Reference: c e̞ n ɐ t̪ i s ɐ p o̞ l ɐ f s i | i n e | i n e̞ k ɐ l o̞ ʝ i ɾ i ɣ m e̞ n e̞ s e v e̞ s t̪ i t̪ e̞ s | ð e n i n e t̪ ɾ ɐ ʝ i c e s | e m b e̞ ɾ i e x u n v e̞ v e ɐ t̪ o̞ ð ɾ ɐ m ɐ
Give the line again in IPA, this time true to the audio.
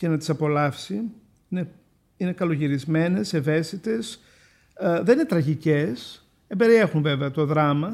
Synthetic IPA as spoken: c e̞ n ɐ t̪ i s ɐ p o̞ l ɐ f s i | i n e | i n e̞ k ɐ l o̞ ʝ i ɾ i z m e̞ n e̞ s e v e̞ s t̪ i t̪ e̞ s | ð e n i n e t̪ ɾ ɐ ʝ i c e s | e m b e̞ ɾ i e x u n v e̞ v e ɐ t̪ o̞ ð ɾ ɐ m ɐ